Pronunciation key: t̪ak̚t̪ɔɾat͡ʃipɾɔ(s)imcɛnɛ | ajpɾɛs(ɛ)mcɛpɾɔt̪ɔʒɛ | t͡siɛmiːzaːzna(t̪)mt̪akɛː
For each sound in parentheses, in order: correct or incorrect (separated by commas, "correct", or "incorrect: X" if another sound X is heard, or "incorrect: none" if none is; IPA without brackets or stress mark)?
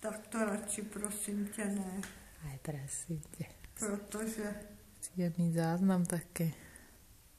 correct, incorrect: i, incorrect: none